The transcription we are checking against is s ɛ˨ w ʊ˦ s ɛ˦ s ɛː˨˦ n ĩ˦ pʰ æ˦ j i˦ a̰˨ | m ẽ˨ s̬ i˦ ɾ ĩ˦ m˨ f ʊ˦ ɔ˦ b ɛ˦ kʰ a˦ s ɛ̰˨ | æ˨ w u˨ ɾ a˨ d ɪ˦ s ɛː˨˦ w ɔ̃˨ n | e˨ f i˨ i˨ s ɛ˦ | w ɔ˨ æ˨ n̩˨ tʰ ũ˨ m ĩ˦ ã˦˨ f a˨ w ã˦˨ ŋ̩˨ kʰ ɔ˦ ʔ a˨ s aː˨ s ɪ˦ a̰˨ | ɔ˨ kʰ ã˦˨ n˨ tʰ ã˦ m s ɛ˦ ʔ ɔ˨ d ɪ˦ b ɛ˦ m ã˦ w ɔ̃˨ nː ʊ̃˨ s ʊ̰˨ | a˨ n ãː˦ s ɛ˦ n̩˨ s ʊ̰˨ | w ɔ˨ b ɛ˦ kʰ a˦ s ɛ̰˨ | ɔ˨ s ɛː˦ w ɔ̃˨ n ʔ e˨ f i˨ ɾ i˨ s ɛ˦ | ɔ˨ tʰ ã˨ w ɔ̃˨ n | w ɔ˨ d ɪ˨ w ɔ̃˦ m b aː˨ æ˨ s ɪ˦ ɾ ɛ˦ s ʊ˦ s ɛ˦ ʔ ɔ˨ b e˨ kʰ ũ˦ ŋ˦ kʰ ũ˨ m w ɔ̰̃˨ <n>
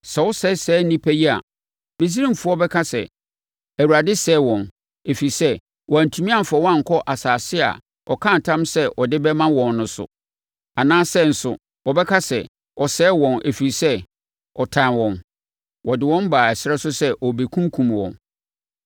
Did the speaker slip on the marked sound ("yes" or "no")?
no